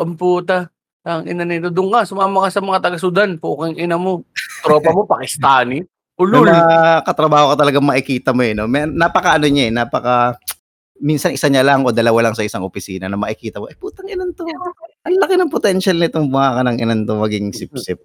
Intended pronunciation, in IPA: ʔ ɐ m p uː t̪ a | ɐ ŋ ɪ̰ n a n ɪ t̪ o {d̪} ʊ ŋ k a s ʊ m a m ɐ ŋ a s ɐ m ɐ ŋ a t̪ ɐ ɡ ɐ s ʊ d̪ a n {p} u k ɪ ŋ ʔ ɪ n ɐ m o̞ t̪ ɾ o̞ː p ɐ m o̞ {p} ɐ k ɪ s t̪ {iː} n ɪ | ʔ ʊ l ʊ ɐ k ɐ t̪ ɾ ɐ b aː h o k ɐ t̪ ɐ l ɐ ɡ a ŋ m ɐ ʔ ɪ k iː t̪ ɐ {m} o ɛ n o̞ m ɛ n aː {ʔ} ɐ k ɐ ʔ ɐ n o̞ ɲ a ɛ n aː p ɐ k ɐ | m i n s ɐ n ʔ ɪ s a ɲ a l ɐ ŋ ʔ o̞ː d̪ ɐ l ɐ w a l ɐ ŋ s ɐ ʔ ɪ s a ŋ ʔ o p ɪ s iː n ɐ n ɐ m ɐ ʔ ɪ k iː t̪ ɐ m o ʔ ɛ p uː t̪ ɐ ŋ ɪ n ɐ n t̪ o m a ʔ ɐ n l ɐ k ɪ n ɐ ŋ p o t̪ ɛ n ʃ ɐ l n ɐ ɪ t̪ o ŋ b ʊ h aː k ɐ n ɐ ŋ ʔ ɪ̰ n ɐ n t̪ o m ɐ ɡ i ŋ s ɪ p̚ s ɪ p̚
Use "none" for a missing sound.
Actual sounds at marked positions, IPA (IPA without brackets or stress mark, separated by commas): d̪, p, p, aː, m, p